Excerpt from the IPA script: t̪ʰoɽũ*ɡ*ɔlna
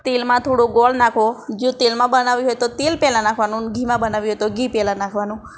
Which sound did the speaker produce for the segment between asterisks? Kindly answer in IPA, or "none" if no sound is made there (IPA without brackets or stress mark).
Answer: ɡ